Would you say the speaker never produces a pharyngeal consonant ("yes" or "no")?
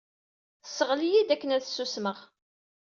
yes